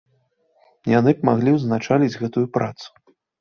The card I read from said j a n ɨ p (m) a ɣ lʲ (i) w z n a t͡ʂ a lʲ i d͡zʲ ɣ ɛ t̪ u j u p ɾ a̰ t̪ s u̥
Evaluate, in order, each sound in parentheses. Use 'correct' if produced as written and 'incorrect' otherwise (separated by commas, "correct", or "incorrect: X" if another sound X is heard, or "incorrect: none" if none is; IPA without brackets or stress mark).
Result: correct, correct